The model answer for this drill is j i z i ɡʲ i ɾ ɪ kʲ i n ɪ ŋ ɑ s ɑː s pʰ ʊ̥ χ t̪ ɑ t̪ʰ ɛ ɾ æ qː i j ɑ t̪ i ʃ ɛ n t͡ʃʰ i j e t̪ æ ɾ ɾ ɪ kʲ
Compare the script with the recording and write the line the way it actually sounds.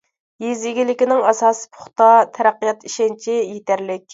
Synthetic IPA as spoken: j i z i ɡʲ i l ɪ kʲ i n ɪ ŋ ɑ s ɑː s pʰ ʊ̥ χ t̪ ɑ t̪ʰ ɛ ɾ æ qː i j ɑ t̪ i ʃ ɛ n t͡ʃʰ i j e t̪ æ ɾ l ɪ kʲ